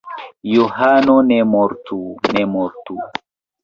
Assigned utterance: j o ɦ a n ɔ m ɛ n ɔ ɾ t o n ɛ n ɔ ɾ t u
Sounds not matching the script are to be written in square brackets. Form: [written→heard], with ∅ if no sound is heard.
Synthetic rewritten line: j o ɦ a n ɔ [m→n] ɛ [n→m] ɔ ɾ t [o→u] n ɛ [n→m] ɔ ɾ t u

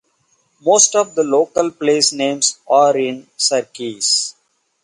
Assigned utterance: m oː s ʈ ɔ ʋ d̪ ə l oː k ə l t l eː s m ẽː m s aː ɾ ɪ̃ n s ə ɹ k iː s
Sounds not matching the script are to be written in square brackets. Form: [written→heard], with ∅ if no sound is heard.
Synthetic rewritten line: m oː s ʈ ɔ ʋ d̪ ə l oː k ə l [t→p] l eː s [m→n] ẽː m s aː ɾ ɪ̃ n s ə [ɹ→ɾ] k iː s

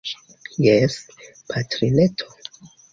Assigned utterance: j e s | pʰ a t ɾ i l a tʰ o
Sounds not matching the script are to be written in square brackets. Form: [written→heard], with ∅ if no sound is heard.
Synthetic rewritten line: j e s | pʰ a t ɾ i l [a→e] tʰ o

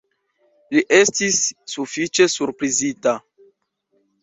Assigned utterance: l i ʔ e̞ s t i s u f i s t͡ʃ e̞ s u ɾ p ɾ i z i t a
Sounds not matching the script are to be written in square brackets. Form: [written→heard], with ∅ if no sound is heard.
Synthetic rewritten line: l i ʔ e̞ s t i [s→sː] u f i [s→∅] t͡ʃ e̞ s u ɾ p ɾ i z i t a

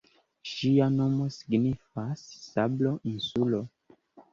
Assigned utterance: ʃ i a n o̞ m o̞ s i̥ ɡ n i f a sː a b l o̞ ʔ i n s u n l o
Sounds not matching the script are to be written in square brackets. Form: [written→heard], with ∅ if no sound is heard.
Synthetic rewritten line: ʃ i a n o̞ m o̞ s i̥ ɡ n i f a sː a b l o̞ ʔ i n s u [n→∅] l o

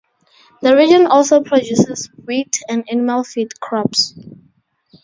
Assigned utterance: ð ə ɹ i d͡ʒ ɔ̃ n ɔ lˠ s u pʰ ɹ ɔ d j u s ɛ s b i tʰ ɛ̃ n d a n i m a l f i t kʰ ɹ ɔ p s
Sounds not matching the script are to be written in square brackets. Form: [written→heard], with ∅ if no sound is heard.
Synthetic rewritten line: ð ə ɹ i d͡ʒ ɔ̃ n ɔ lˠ s [u→o] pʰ ɹ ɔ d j u s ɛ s [b→w] i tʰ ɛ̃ n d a n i m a l f i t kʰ ɹ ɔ p s

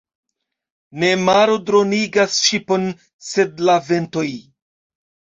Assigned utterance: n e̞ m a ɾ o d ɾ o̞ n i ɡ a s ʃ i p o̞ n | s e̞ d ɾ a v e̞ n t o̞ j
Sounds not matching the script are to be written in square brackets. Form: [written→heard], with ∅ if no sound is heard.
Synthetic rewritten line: n e̞ m a ɾ o d ɾ o̞ n i ɡ a s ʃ i p o̞ n | s e̞ d [ɾ→l] a v e̞ n t o̞ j

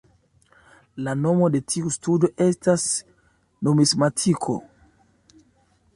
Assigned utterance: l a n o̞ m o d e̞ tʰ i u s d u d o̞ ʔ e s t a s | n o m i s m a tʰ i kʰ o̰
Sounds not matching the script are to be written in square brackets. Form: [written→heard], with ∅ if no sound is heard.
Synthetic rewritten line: l a n o̞ m o d e̞ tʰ i u s [d→t] u d o̞ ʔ e s t a s | n o m i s m a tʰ i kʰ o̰

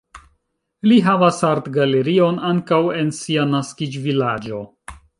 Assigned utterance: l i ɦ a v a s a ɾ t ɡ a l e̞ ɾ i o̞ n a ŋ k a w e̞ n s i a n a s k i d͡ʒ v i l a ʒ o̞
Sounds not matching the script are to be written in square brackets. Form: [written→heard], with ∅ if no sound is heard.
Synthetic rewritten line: l i ɦ a v a s a ɾ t ɡ a l e̞ ɾ i o̞ n a ŋ k a w e̞ n s i a n a s k i d͡ʒ v i l a [ʒ→d͡ʒ] o̞

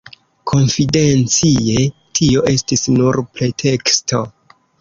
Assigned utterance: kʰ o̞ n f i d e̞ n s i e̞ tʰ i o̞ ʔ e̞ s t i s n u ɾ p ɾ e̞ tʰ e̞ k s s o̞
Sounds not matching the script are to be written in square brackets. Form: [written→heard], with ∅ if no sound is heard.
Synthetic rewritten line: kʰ o̞ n f i d e̞ n [s→t͡s] i e̞ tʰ i o̞ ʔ e̞ s t i s n u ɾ p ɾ e̞ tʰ e̞ k s [s→t] o̞

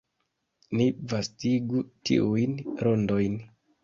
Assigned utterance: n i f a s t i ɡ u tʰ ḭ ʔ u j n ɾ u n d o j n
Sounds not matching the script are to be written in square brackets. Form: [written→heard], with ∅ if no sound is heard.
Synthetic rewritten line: n i [f→v] a s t i ɡ u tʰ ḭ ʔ u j n ɾ [u→o] n d o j n

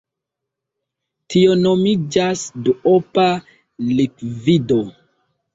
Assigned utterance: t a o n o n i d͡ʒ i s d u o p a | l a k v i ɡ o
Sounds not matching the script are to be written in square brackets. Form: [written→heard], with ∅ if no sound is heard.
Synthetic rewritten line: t [a→i] o n o [n→m] i d͡ʒ [i→a] s d u o p a | l [a→i] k v i [ɡ→d] o

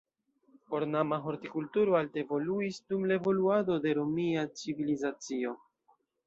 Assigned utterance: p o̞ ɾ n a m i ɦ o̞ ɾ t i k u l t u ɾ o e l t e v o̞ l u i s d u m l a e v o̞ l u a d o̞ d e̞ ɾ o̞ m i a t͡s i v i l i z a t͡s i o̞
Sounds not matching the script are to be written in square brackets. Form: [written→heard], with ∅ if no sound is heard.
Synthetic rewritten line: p o̞ ɾ n a m [i→a] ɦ o̞ ɾ t i k u l t u ɾ o [e→a] l t e v o̞ l u i s d u m l a e v o̞ l u a d o̞ d e̞ ɾ o̞ m i a t͡s i v i l i z a t͡s i o̞

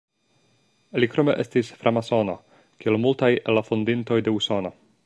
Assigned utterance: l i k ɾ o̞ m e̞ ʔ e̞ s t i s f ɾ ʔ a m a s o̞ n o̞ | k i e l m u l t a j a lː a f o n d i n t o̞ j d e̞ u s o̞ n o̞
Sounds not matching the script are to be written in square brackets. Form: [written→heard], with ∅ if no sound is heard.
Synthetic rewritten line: l i k ɾ o̞ m e̞ ʔ e̞ s t i s f ɾ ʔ a m a s o̞ n o̞ | k i e l m u l t a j [a→e] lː a f o n d i n t o̞ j d e̞ u s o̞ n o̞

